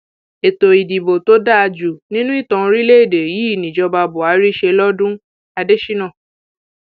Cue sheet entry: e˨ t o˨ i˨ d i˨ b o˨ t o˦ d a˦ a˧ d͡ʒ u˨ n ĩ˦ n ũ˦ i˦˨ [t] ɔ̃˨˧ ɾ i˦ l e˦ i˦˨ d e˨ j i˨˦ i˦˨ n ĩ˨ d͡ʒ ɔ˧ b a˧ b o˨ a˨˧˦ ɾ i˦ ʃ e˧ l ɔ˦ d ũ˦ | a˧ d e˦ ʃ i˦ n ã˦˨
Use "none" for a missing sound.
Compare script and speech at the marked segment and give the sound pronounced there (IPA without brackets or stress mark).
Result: t